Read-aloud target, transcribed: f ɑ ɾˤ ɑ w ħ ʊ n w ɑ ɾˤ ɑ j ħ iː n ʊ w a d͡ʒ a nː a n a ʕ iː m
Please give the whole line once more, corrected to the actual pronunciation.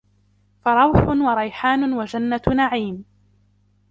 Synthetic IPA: f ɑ ɾˤ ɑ w ħ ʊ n w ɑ ɾˤ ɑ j ħ aː n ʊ w a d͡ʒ a nː a n a ʕ iː m